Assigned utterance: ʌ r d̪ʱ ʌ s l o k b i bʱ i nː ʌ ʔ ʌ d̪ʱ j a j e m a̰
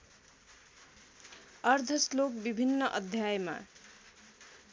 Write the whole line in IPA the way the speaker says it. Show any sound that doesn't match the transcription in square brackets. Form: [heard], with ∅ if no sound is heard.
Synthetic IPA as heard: ʌ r d̪ʱ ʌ s l o k b i bʱ i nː ʌ ʔ ʌ d̪ʱ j a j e m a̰